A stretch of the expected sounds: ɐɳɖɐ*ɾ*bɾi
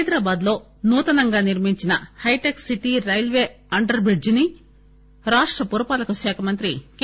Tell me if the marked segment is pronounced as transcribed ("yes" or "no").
yes